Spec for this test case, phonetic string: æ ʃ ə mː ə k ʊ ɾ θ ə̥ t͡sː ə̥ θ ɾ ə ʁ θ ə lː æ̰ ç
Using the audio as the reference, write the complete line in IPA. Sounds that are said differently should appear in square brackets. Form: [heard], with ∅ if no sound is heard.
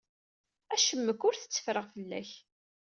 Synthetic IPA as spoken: æ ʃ ə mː ə k ʊ ɾ θ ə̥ t͡sː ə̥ [f] ɾ ə ʁ [f] ə lː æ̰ ç